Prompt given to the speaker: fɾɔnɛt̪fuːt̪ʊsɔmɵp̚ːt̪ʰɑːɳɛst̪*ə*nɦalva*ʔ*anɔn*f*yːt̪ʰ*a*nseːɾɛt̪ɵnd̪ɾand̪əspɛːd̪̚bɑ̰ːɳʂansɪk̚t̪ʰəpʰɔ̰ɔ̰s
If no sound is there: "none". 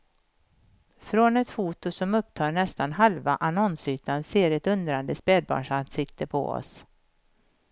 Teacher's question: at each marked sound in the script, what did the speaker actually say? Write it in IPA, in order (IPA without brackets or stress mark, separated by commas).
a, ʔ, s, a